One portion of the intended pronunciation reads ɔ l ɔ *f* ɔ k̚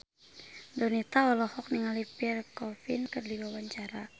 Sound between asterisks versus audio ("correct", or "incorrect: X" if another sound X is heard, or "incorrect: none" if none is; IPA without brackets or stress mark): incorrect: h